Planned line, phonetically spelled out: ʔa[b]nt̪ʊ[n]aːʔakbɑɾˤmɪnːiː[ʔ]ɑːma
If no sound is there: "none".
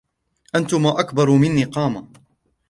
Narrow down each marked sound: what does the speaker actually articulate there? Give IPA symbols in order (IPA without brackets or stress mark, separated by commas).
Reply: none, m, q